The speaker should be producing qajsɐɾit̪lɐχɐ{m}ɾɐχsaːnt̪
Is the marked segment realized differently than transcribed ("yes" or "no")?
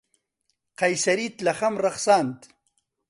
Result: no